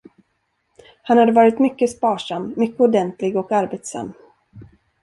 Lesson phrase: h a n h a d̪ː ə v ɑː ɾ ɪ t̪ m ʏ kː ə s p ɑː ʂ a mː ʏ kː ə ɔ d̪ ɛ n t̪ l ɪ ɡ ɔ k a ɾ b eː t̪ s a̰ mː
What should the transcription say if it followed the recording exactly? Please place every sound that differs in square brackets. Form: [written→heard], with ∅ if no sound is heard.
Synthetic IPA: h a n h a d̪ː ə v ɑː ɾ ɪ t̪ m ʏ kː ə s p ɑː ʂ a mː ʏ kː ə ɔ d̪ ɛ n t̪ l ɪ ɡ ɔ k a ɾ b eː t̪ s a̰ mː